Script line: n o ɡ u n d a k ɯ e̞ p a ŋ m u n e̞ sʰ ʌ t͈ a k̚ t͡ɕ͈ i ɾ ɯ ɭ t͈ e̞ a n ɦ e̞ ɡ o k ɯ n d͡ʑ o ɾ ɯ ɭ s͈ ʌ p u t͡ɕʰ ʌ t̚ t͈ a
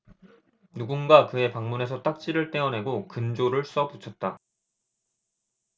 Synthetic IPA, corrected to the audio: n u ɡ u n ɡ a k ɯ e̞ p a ŋ m u n e̞ sʰ ʌ t͈ a k̚ t͡ɕ͈ i ɾ ɯ ɭ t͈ e̞ ʌ n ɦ e̞ ɡ o k ɯ n d͡ʑ o ɾ ɯ ɭ s͈ ʌ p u t͡ɕʰ ʌ t̚ t͈ a